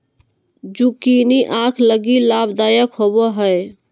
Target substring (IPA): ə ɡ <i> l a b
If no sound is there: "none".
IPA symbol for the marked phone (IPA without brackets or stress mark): i